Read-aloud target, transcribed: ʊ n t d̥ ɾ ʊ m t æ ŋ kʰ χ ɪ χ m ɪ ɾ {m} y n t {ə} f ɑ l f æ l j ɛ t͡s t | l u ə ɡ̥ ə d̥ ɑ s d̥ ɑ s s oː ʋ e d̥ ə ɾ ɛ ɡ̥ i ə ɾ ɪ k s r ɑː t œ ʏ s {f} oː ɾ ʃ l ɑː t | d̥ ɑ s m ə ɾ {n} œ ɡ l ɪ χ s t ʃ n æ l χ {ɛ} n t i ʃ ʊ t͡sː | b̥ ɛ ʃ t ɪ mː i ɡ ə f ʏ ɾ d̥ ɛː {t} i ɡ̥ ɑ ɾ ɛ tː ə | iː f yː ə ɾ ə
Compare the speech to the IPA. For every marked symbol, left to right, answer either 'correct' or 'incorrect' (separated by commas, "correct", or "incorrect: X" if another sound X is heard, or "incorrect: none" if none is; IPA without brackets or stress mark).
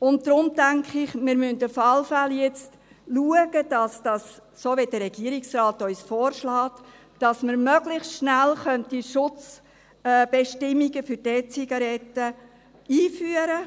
correct, correct, correct, incorrect: m, incorrect: œ, incorrect: t͡s